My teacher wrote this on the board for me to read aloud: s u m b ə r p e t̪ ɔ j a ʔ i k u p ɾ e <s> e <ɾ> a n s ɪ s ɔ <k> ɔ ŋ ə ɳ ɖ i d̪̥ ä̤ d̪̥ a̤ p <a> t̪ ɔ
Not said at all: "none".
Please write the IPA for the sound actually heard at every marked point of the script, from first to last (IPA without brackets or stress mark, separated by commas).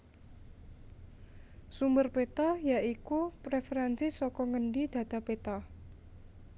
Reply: f, ɾ, k, e